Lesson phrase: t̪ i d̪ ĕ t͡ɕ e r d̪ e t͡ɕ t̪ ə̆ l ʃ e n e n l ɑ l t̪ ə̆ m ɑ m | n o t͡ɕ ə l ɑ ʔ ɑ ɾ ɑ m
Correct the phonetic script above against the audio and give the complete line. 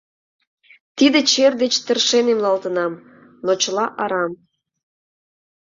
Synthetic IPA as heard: t̪ i d̪ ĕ t͡ɕ e r d̪ e t͡ɕ t̪ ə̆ r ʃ e n e m l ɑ l t̪ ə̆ n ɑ m | n o t͡ɕ ə l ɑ ʔ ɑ ɾ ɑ m